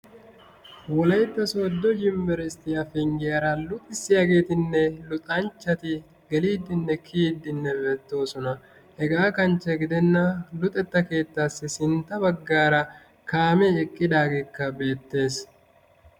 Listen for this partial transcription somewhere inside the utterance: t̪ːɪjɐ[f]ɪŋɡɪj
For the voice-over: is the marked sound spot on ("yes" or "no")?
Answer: yes